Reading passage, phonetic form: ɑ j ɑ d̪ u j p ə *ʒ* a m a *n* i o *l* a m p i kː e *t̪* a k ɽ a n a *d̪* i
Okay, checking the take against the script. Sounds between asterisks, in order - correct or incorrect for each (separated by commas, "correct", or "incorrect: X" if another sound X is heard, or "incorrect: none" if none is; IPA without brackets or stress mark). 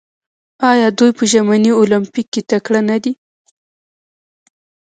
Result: correct, correct, correct, correct, correct